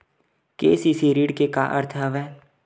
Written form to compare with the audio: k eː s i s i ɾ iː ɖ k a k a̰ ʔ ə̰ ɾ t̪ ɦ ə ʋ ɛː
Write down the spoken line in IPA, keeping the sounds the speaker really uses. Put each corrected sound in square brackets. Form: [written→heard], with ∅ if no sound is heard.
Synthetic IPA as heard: k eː s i s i ɾ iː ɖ k [a→e] k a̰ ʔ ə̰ ɾ [t̪→t̪ʰ] ɦ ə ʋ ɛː